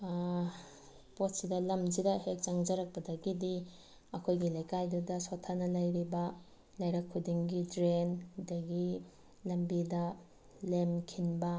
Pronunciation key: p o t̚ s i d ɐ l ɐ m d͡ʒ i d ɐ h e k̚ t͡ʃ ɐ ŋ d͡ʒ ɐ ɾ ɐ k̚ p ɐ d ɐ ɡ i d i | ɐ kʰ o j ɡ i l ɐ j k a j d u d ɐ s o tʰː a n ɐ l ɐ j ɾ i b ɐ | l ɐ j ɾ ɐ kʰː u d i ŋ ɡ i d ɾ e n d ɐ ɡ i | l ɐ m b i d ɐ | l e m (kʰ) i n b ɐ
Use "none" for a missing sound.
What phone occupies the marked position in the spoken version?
kʰ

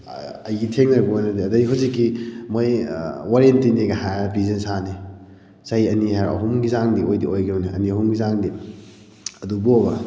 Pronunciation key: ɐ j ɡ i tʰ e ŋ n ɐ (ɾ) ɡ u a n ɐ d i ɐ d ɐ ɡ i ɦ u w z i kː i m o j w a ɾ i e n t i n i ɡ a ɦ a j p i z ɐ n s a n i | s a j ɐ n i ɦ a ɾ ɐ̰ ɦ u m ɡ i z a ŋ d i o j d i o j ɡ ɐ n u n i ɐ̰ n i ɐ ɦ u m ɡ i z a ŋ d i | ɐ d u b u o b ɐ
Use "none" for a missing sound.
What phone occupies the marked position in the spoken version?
ɾ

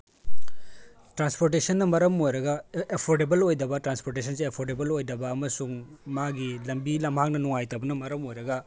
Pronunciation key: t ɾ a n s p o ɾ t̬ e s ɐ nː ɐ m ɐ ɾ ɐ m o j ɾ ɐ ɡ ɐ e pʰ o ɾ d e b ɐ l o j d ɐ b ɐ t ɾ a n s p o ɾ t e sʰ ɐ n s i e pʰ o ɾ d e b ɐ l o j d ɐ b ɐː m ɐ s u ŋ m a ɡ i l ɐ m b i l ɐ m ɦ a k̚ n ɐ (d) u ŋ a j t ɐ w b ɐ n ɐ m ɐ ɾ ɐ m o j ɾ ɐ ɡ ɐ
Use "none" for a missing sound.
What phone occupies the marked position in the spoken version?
n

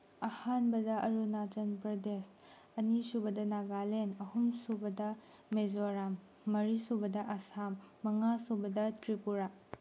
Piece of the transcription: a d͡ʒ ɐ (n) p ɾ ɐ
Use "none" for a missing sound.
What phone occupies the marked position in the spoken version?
n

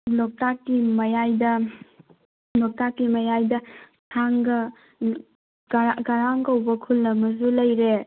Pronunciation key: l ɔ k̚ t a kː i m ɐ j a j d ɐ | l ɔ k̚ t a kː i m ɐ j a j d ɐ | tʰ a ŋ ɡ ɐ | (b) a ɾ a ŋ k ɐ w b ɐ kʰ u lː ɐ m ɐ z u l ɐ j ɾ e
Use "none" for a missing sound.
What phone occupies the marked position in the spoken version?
ɡ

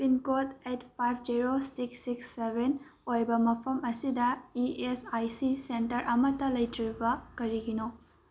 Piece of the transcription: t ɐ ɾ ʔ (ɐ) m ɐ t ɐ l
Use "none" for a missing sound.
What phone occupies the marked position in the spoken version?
ɐ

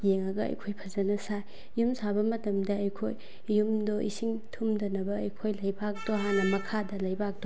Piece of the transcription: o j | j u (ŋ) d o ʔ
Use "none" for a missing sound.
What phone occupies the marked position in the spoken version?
m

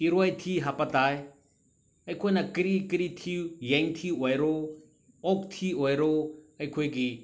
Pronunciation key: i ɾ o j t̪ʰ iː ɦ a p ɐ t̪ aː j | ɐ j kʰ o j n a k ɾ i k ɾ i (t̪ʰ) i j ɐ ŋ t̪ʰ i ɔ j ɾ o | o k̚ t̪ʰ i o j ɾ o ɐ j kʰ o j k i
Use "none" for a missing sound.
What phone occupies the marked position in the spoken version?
t̪ʰ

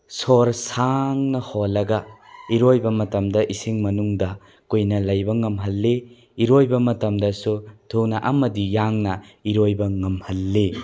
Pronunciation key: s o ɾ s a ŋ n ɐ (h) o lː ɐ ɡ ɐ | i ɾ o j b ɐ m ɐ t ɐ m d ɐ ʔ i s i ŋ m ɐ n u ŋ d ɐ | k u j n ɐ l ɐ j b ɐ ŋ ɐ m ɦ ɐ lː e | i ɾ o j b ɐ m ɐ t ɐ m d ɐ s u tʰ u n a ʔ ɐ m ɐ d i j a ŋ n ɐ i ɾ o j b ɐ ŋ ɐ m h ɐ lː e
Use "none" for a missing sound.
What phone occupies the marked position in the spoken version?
h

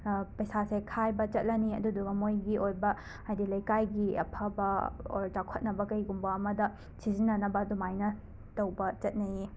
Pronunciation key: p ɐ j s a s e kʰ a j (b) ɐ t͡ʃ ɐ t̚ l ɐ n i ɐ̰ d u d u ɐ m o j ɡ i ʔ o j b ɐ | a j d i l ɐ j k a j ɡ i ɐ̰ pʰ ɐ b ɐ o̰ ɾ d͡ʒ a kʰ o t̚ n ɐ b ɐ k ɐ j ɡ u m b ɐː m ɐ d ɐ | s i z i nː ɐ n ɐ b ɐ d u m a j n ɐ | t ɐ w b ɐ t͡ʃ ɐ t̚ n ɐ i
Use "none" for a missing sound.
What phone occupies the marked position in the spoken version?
b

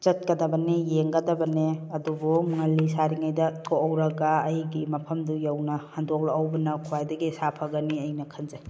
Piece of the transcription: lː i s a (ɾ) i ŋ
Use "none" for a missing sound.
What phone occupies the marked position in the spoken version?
ɾ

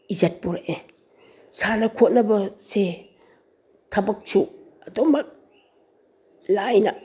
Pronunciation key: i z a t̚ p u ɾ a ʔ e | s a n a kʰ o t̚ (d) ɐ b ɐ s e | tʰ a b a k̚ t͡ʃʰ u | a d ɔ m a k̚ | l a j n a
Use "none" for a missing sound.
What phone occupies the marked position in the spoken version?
n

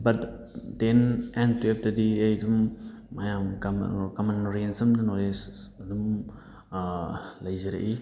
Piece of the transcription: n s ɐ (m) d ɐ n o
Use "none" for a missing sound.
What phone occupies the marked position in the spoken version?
m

